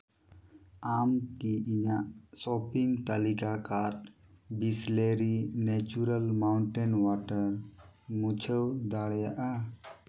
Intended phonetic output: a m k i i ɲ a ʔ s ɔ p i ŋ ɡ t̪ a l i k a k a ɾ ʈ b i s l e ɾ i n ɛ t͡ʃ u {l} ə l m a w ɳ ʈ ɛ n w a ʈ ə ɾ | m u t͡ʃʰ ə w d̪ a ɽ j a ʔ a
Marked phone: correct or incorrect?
incorrect